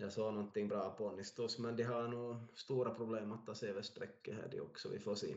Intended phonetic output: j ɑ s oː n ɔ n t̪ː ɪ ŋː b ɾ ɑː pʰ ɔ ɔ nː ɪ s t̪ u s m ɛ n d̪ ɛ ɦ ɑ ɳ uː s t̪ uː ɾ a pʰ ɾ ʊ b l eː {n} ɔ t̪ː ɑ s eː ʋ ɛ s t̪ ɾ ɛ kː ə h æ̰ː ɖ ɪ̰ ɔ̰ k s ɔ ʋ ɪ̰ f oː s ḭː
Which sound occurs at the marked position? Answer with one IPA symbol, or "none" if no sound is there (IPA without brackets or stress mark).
m